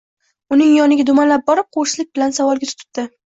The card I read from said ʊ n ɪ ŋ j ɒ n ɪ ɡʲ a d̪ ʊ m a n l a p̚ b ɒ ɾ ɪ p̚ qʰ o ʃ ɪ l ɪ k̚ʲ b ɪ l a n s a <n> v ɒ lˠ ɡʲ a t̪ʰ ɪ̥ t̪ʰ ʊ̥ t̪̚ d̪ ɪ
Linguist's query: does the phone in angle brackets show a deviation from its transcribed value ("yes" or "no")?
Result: yes